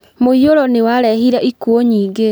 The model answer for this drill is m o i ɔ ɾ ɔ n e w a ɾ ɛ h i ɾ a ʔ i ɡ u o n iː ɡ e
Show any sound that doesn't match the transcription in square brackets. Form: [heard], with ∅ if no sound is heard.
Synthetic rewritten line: m o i [o] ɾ ɔ n e w a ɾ ɛ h i ɾ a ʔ i [k] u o [ɲ] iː ɡ e